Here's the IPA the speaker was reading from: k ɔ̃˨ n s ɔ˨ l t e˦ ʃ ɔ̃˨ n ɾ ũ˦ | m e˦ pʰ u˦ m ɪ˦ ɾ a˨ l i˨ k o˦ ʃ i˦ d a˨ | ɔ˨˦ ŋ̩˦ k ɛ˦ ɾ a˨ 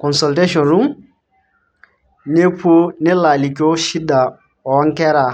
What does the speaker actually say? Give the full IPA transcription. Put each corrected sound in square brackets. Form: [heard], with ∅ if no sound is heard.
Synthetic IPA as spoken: k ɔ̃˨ n s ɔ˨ l t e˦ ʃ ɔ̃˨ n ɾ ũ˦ | [n] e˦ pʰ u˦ [n] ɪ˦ [l] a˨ l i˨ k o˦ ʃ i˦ d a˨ | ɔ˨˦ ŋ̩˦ k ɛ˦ ɾ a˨